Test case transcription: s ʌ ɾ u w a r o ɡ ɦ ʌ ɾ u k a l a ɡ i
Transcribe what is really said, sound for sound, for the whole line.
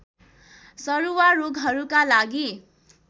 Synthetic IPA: s ʌ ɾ u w a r o ɡ ɦ ʌ ɾ u k a l a ɡ i